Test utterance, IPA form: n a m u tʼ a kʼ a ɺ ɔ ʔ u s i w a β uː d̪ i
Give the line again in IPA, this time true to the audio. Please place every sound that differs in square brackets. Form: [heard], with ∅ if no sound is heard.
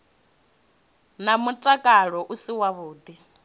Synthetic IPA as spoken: n a m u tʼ a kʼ a ɺ ɔ ʔ u s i w a β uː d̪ i